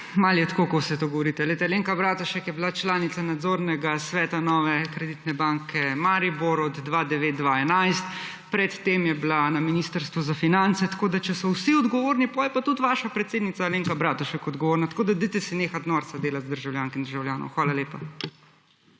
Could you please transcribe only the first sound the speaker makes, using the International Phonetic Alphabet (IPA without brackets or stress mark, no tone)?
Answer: m